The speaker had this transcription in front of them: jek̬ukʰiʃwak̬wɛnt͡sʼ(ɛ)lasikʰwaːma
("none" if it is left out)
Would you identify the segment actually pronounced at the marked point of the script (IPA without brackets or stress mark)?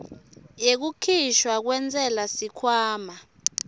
ɛ